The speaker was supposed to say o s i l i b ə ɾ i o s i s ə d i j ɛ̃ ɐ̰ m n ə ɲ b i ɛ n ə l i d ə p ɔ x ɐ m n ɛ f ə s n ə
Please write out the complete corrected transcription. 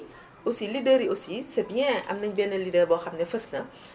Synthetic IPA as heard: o s i l i d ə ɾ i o s i s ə b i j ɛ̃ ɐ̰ m n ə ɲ b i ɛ n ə l i d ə b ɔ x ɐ m n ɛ f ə s n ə